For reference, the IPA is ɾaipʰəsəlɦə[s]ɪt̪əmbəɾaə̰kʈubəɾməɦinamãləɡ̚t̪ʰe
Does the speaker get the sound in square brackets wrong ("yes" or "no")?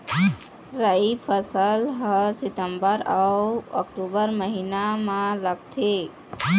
no